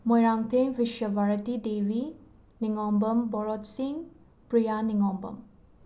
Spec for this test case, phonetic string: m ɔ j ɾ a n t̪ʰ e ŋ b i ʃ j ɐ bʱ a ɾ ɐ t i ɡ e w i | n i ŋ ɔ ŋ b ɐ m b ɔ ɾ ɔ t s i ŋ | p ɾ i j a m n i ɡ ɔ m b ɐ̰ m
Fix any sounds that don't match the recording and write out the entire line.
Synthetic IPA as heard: m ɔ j ɾ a ŋ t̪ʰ e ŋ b i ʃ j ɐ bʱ a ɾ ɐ t i d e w i | n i ŋ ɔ m b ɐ m b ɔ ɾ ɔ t s i ŋ | p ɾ i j a n i ŋ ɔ m b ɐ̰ m